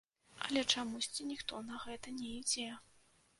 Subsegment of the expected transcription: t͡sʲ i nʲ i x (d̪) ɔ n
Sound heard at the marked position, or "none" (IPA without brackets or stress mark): t̪